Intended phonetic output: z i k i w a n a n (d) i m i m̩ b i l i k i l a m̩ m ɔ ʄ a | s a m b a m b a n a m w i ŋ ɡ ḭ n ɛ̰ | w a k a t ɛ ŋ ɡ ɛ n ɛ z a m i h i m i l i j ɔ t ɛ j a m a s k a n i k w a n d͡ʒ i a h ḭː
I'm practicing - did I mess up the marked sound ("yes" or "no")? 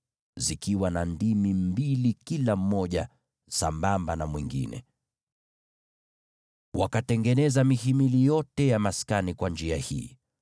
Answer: no